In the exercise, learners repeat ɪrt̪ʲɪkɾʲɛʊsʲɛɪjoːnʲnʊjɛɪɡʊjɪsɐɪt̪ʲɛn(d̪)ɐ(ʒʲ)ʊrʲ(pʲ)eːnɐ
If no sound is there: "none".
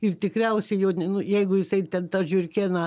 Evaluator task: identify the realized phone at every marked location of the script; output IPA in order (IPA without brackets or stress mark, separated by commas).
t̪, ʒʲ, kʲ